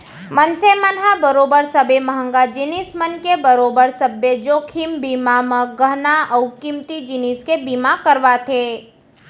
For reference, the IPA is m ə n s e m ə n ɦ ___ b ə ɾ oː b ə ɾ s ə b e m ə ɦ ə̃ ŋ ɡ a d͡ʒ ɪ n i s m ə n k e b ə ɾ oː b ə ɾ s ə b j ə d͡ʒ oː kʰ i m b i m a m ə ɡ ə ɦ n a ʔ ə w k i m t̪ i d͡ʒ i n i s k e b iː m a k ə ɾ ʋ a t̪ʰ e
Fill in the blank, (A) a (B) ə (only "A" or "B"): A